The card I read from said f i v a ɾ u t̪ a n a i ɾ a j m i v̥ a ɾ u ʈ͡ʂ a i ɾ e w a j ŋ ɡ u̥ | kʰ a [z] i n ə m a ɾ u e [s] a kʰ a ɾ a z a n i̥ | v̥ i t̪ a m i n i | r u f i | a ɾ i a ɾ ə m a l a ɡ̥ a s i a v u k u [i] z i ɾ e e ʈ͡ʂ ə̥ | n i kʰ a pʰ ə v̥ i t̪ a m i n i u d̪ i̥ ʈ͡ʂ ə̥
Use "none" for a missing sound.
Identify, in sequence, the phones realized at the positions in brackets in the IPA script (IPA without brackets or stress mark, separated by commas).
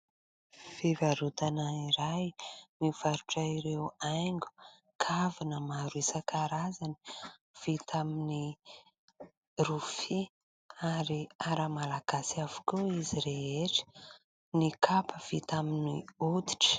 v, s, i